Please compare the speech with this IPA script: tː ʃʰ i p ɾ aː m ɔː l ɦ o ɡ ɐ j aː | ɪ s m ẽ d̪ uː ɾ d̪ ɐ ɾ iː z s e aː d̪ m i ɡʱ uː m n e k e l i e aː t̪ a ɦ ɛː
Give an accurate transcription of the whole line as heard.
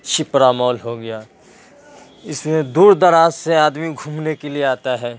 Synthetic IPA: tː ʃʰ i p ɾ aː m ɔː l ɦ o ɡ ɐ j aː | ɪ s m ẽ d̪ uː ɾ d̪ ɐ ɾ aː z s e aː d̪ m i ɡʱ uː m n e k e l i e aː t̪ a ɦ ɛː